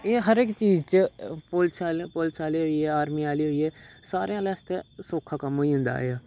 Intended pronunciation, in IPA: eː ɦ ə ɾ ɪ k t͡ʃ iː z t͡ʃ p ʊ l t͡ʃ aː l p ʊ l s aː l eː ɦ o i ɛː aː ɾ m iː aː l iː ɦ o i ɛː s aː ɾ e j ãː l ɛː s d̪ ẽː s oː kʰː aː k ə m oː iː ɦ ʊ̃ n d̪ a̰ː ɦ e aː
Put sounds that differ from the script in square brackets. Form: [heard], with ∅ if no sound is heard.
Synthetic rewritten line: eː ɦ ə ɾ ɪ k t͡ʃ iː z t͡ʃ p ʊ l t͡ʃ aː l p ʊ l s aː l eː ɦ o i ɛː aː ɾ m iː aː l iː ɦ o i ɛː s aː ɾ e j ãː l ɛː s [t̪] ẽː s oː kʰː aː k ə m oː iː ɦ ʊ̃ n d̪ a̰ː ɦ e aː